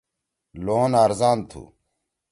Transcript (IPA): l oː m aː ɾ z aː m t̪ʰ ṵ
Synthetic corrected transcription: l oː n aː ɾ z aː n t̪ʰ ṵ